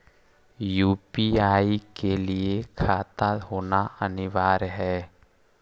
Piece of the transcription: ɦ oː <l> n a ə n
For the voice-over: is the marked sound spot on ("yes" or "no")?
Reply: no